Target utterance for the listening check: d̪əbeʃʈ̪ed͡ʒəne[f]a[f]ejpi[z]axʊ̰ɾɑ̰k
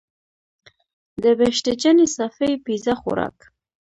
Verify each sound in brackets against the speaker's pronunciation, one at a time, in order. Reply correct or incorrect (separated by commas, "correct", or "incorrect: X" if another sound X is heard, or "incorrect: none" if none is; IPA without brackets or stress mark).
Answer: incorrect: s, correct, correct